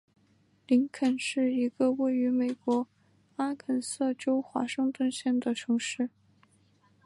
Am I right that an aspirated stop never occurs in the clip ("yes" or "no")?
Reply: no